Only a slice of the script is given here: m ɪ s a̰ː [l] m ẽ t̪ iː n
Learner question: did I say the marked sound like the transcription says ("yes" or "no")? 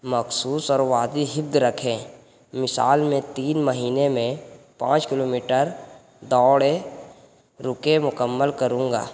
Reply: yes